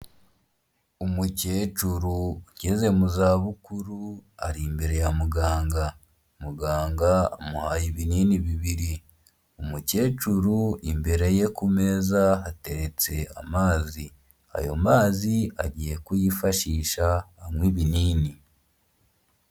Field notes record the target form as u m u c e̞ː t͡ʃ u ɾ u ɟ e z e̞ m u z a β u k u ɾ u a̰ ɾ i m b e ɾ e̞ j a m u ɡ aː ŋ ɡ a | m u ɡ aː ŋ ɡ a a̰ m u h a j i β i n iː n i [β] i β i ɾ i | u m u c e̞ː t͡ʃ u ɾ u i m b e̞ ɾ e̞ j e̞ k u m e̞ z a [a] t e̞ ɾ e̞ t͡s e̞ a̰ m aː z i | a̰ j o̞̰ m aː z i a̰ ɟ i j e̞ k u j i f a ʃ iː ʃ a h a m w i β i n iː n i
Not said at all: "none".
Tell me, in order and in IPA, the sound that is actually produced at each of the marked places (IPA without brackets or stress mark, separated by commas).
β, a